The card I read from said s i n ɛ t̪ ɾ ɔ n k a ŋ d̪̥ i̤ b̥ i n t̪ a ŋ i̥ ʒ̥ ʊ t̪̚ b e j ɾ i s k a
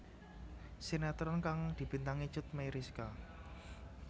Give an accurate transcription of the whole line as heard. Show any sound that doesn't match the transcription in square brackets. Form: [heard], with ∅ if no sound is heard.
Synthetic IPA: s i n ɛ t̪ ɾ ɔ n k a ŋ d̪̥ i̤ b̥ i n t̪ a ŋ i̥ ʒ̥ ʊ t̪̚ [m] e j ɾ i s k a